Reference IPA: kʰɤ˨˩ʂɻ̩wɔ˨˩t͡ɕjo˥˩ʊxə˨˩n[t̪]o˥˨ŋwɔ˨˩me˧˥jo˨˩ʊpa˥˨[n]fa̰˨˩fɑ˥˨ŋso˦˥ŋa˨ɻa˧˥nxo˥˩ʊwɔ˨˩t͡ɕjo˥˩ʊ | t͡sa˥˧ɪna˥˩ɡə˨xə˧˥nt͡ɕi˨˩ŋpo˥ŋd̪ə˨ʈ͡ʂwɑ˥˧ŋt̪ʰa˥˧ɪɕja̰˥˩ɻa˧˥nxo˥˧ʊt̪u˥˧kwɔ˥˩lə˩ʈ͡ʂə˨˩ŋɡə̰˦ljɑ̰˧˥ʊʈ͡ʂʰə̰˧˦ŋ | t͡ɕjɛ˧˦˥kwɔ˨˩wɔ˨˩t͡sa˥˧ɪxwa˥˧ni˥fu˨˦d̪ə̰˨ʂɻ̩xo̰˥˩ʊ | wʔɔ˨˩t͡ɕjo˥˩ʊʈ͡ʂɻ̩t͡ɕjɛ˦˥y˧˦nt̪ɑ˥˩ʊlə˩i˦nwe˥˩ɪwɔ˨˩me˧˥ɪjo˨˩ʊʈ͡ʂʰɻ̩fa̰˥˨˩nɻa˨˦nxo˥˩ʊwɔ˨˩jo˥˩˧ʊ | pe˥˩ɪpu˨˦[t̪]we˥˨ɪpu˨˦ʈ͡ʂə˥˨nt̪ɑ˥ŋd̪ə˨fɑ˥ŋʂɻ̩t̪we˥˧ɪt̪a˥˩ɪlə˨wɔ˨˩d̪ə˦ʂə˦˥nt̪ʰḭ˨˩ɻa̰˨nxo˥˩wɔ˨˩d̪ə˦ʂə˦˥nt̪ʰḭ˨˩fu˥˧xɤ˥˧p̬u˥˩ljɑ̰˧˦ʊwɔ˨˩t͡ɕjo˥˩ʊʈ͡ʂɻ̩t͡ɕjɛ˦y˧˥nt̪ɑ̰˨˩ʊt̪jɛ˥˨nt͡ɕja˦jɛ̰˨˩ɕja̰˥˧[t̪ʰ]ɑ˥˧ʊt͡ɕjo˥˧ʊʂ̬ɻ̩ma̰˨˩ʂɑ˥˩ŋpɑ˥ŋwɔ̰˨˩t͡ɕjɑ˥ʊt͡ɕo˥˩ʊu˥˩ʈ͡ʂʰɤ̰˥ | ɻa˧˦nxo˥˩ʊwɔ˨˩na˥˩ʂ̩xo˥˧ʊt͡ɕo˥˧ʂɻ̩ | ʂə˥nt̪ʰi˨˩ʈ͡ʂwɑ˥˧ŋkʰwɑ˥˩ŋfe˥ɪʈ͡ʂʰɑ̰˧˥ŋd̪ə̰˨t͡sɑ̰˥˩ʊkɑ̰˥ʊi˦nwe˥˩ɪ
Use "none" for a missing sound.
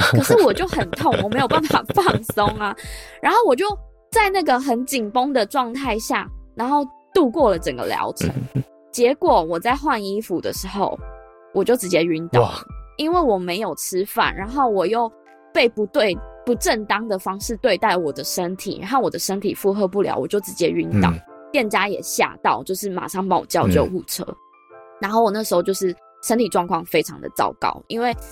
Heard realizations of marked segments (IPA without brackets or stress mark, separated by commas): t̪ʰ, n, t̪, t̪